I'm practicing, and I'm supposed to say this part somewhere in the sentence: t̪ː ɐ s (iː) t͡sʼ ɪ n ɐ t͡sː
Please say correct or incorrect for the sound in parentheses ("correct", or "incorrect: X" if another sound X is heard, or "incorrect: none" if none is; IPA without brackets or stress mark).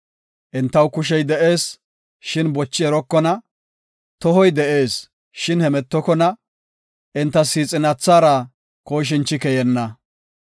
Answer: correct